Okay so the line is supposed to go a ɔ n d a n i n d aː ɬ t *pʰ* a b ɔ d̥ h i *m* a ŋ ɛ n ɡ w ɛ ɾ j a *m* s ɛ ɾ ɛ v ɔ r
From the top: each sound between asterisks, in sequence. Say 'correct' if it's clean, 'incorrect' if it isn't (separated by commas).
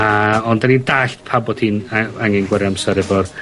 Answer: correct, incorrect, correct